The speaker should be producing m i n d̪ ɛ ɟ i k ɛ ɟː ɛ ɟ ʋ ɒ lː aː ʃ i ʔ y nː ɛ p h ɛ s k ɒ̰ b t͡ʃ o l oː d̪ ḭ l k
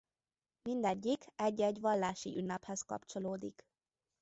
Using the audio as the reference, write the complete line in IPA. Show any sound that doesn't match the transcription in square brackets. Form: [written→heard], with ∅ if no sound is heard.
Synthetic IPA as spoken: m i n d̪ ɛ [ɟ→ɟː] i k ɛ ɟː ɛ ɟ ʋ ɒ lː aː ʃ i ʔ y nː ɛ p h ɛ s k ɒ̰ [b→p] t͡ʃ o l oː d̪ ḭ [l→∅] k